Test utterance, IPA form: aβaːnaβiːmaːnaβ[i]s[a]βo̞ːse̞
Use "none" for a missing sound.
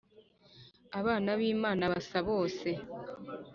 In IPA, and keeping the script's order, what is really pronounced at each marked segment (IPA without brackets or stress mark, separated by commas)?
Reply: a, a